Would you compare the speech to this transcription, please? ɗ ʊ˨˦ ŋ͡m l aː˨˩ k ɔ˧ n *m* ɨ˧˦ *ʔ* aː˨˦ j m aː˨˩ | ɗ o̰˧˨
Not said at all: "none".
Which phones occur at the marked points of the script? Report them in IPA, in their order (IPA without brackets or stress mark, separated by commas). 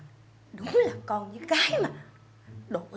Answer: ɲ, k